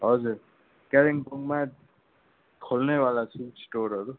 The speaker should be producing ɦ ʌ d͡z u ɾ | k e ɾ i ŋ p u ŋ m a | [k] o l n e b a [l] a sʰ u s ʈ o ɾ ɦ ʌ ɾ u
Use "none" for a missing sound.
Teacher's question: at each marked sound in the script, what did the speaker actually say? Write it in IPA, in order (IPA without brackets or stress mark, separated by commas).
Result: kʰ, l